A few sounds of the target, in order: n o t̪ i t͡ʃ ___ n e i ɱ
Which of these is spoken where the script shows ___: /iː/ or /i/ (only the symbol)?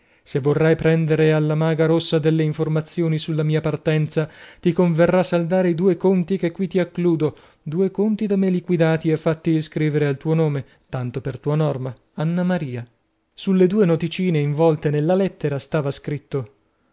iː